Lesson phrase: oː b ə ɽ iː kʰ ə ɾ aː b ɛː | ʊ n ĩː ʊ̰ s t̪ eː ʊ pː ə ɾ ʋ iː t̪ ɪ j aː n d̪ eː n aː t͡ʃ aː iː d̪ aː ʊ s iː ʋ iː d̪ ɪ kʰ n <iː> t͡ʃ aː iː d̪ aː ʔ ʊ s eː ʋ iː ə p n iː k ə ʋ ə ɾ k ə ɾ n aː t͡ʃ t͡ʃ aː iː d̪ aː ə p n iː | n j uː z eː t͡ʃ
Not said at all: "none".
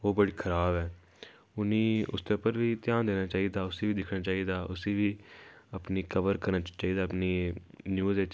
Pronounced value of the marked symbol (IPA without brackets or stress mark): aː